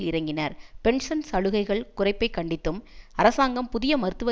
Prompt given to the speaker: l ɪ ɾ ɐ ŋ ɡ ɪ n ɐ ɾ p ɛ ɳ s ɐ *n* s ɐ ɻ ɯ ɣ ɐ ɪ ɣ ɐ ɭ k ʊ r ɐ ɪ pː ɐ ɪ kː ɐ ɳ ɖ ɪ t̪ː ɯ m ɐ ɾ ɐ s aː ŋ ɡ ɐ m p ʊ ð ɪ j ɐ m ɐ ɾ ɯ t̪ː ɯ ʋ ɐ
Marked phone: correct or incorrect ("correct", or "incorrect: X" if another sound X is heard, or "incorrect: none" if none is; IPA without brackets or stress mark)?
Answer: correct